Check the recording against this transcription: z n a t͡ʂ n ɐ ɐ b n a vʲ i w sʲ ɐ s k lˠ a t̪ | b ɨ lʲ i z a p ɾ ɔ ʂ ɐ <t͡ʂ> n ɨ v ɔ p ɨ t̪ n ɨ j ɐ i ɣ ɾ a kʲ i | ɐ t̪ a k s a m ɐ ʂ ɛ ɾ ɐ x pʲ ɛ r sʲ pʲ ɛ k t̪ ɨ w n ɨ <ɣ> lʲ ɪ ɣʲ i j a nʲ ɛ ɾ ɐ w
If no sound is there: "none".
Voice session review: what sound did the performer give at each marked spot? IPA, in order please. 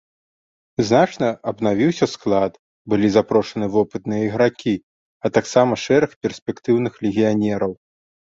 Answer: none, x

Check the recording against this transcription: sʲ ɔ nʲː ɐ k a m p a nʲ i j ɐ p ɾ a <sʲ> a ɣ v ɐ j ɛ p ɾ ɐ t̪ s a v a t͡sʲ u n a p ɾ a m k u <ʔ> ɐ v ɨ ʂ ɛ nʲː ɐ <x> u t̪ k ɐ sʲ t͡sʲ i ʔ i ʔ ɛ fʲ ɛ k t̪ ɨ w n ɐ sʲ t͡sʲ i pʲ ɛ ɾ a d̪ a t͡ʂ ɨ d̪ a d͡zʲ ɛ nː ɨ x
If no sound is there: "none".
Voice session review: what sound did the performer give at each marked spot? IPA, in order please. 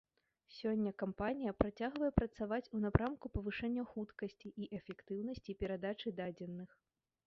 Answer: t͡sʲ, p, x

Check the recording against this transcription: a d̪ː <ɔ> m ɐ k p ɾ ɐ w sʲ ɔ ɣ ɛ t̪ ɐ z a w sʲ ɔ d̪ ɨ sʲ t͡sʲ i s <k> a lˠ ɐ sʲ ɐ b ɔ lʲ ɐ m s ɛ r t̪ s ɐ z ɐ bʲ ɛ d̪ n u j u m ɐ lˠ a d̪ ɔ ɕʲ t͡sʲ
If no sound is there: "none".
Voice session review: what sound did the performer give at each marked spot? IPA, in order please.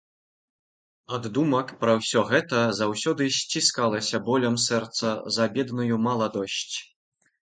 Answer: u, k

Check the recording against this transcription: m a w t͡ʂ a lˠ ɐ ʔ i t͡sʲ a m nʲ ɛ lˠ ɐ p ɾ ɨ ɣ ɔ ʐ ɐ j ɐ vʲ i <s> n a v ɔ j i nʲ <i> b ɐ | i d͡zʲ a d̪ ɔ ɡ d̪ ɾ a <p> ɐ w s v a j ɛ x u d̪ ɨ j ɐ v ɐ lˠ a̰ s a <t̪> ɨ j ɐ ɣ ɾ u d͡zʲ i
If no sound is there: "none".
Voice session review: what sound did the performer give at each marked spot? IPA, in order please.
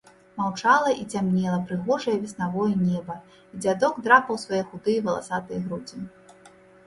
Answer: s, ɛ, p, t̪

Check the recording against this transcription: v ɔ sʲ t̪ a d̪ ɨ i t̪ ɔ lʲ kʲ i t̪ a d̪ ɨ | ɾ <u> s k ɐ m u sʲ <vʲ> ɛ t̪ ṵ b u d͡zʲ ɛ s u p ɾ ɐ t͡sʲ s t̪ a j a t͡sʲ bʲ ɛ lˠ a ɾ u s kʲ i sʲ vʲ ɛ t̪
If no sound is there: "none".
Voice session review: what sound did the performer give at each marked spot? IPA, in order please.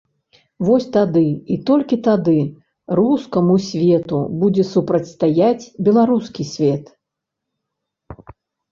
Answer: u, vʲ

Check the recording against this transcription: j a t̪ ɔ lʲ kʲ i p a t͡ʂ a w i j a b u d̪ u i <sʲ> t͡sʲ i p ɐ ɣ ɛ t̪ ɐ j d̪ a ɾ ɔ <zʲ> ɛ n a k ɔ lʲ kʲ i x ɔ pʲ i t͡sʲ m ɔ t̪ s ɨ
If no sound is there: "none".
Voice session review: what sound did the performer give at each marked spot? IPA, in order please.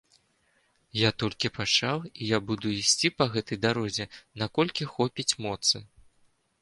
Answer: sʲ, zʲ

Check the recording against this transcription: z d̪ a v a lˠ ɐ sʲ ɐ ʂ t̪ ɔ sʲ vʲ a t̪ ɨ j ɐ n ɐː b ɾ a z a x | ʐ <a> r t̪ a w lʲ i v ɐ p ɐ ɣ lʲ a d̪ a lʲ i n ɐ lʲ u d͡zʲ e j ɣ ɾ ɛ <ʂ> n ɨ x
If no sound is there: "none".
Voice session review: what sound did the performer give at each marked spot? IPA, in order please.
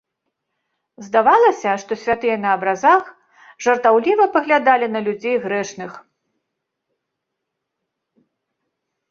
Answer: ɐ, ʂ

